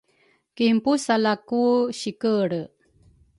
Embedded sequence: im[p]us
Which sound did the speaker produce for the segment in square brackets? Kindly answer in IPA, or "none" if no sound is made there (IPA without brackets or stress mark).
p